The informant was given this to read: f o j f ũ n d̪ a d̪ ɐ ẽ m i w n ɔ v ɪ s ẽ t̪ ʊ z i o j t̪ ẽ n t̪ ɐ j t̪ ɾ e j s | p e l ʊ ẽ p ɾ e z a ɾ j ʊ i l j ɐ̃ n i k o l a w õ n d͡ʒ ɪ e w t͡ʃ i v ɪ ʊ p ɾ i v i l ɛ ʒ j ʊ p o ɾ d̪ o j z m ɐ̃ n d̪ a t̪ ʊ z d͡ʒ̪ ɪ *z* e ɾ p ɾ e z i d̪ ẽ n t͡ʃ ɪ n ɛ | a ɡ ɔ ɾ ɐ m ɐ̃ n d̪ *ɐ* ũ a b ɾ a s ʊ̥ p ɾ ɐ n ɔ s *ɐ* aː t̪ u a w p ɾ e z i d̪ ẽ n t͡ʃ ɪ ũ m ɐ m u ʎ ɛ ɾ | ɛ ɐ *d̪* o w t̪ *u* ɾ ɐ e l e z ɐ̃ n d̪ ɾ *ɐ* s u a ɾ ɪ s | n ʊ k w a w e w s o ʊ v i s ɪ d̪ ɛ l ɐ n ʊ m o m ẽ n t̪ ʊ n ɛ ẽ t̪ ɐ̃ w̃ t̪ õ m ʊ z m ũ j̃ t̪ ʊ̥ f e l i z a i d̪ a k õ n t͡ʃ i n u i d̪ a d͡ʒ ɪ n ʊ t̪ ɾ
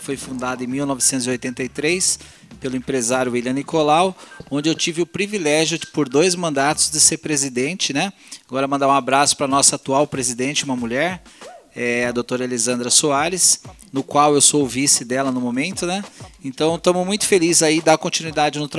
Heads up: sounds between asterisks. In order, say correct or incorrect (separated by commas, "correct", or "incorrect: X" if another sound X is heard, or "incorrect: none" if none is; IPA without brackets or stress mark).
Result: incorrect: s, incorrect: a, correct, correct, incorrect: o, correct